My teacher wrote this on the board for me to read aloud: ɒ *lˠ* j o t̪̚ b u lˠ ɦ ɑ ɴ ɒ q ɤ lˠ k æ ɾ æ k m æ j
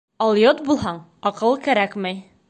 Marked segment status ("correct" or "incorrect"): correct